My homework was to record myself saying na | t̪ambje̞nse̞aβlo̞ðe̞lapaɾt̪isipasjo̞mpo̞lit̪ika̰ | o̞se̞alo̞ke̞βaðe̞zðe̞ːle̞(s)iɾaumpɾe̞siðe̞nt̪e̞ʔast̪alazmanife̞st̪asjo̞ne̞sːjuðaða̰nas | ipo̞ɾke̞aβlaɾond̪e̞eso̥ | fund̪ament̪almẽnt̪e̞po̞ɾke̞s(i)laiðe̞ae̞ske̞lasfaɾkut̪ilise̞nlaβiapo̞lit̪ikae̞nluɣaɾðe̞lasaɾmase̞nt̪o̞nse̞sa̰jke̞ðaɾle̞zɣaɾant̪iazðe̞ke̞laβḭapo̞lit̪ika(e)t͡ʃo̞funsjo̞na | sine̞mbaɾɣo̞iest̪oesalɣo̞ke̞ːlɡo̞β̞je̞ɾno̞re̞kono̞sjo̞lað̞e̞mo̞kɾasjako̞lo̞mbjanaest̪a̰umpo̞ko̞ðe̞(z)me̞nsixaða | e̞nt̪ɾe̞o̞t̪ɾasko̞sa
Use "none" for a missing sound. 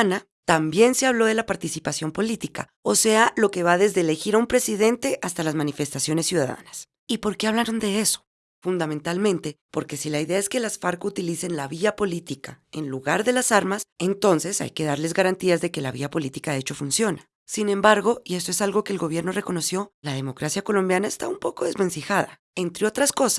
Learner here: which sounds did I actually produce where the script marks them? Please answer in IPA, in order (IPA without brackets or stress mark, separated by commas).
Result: x, i, e, z